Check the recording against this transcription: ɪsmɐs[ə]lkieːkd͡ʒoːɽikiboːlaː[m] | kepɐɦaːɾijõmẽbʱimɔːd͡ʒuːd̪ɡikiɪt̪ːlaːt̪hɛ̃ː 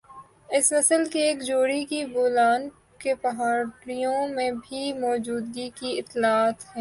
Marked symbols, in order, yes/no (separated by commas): yes, no